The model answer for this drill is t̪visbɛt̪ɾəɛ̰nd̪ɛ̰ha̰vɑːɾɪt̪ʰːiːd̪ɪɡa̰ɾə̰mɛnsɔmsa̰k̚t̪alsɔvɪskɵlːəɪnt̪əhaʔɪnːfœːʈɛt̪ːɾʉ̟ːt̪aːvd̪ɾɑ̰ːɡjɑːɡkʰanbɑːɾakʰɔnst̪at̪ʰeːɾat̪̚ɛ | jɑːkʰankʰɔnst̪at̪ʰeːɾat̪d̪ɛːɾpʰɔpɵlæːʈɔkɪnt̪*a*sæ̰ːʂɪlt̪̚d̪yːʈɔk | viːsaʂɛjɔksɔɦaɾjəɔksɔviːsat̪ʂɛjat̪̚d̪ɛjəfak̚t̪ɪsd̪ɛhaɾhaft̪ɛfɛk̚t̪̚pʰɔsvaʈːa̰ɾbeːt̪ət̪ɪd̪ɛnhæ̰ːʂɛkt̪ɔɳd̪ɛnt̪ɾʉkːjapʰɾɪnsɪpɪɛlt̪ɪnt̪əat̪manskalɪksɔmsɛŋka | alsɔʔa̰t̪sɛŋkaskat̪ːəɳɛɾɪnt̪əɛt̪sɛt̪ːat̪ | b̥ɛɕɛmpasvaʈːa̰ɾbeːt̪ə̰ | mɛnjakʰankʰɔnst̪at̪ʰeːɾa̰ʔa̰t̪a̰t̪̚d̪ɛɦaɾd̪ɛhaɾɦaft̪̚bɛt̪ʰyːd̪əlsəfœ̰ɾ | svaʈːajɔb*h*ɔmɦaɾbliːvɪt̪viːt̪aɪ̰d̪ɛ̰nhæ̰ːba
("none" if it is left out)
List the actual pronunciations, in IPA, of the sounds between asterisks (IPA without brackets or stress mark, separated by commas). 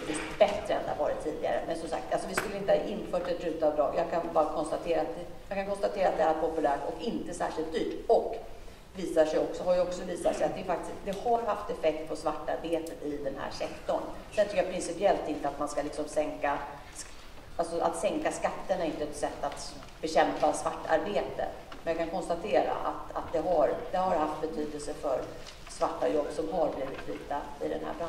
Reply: ə, s